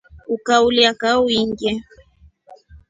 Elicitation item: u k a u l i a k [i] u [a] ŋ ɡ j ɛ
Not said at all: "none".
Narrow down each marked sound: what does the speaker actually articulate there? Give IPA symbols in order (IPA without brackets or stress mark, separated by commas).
a, i